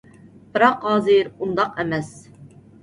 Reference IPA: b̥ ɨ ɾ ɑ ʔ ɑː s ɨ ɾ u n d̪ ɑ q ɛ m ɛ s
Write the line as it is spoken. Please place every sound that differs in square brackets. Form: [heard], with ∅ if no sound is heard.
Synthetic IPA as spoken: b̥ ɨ ɾ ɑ [q] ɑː [z] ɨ ɾ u n d̪ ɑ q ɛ m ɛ s